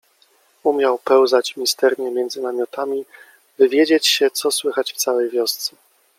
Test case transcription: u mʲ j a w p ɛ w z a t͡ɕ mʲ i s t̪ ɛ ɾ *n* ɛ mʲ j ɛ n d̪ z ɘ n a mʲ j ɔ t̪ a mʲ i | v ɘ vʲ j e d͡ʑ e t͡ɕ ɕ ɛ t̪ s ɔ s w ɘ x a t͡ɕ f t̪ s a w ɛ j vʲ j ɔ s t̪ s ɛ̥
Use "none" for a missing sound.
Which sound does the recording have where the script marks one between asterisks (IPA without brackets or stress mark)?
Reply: ɲ